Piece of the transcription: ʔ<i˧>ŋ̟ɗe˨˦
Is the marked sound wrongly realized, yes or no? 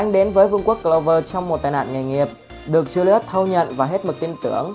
yes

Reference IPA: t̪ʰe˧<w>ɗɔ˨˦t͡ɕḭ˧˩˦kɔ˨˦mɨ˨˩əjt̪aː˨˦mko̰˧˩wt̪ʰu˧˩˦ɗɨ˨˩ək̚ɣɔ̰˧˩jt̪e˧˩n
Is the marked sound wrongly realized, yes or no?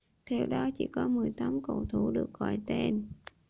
no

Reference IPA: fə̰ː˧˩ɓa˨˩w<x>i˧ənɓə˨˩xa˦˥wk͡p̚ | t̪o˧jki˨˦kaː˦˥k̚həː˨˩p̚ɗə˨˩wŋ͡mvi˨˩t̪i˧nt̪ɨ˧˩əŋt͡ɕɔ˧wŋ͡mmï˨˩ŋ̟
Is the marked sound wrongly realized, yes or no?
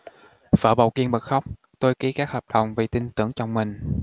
yes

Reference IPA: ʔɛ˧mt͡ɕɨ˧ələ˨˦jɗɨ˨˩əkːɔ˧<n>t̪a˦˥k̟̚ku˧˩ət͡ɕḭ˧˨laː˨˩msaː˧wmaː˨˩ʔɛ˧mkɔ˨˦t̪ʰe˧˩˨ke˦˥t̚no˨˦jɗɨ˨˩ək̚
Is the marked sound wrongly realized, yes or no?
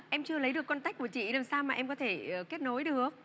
no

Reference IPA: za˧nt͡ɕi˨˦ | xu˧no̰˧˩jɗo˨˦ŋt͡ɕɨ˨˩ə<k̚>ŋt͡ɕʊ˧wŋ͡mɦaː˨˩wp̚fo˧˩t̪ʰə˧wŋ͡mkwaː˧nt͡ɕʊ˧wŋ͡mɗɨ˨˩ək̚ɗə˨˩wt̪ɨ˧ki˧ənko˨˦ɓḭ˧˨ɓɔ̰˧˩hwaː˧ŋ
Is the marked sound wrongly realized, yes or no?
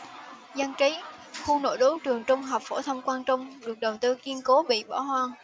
yes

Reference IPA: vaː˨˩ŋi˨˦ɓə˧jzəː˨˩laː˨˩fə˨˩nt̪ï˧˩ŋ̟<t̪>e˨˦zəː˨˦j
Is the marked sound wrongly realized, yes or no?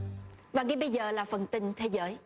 yes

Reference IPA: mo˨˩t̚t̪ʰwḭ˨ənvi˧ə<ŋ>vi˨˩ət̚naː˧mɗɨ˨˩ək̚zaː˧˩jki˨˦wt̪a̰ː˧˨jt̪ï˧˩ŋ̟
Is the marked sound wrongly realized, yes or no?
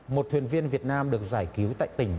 yes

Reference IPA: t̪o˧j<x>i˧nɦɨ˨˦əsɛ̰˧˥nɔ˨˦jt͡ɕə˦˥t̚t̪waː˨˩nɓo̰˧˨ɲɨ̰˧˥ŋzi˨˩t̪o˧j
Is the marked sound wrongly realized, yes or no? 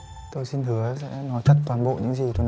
yes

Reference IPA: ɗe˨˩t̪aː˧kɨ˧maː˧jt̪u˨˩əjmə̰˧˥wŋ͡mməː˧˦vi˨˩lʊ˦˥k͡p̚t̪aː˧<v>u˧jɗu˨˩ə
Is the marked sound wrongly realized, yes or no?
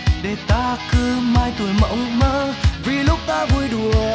no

